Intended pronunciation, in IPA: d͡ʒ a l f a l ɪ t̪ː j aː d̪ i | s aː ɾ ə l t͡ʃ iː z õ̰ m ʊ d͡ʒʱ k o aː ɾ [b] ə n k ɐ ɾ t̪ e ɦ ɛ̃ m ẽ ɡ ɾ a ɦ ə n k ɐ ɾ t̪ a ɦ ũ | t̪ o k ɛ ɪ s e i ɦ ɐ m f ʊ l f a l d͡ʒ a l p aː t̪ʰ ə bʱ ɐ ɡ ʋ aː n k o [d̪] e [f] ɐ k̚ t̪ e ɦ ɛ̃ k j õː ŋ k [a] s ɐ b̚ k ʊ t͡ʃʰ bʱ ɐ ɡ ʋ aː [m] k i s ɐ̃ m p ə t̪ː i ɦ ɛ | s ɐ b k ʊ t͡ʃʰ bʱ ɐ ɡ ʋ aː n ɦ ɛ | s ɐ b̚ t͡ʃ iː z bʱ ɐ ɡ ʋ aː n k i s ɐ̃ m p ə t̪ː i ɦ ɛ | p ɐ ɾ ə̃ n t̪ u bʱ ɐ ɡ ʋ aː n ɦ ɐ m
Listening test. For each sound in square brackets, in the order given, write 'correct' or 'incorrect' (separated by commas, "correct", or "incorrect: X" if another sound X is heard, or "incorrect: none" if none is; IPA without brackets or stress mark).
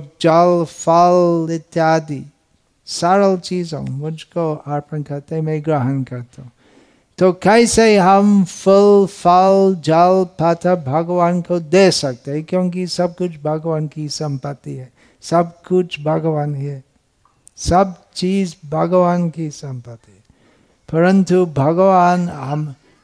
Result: incorrect: p, correct, incorrect: s, incorrect: i, incorrect: n